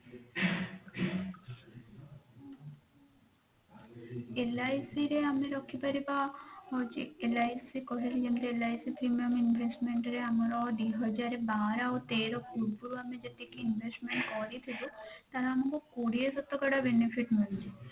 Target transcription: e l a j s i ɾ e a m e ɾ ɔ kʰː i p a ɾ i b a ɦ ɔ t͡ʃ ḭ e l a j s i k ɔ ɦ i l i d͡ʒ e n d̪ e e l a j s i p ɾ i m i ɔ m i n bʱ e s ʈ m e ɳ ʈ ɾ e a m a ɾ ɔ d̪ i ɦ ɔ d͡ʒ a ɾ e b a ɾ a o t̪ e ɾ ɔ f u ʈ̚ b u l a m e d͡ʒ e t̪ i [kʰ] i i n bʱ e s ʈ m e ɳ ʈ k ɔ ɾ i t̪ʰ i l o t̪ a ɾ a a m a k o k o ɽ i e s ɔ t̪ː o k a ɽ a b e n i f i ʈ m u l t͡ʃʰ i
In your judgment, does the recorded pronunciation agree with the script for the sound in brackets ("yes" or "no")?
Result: no